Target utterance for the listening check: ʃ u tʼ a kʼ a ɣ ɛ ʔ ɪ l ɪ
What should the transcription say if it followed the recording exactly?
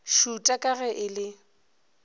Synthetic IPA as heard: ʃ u tʼ a kʼ a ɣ ɛ ʔ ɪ l ɪ